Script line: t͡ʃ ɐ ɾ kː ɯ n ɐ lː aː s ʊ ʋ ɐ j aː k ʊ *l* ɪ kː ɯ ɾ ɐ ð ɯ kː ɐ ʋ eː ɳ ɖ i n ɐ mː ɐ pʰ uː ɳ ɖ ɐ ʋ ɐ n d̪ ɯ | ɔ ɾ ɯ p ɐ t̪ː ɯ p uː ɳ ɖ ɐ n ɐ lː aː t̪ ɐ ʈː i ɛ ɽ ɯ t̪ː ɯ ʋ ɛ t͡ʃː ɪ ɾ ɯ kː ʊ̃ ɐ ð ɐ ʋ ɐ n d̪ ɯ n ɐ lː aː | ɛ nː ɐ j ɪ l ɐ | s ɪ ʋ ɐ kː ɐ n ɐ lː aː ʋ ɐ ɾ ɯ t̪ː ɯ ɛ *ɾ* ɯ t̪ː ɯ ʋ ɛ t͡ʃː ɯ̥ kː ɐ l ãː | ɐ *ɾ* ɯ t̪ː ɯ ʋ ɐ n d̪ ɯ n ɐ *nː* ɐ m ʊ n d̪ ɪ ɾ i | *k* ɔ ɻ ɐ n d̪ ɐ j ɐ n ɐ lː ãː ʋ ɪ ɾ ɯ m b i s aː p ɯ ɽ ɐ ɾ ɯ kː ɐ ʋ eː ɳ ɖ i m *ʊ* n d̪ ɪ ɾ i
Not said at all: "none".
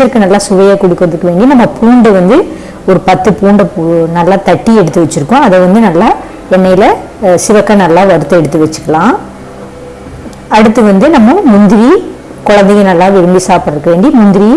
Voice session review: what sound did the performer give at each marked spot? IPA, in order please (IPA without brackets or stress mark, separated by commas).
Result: ɽ, ɽ, ɽ, mː, k, ʊ